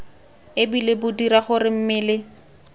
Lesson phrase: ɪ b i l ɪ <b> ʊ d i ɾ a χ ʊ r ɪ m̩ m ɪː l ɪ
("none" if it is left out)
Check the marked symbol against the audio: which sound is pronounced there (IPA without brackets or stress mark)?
b